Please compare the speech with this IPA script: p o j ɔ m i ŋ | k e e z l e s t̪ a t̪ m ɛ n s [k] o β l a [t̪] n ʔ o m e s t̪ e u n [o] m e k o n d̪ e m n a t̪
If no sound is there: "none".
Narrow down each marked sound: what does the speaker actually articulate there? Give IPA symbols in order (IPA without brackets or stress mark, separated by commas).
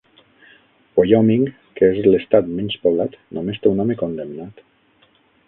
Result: p, t̪, ɔ